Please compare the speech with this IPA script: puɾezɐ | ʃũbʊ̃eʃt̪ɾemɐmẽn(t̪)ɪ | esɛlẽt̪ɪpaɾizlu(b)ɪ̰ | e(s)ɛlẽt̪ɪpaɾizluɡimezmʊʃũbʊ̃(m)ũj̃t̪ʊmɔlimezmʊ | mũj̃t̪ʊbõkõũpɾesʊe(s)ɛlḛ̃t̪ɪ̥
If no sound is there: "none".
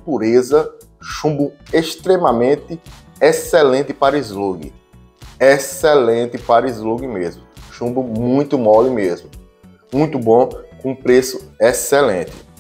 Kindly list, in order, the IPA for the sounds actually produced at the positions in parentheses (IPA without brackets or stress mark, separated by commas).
t̪, ɡ, s, m, s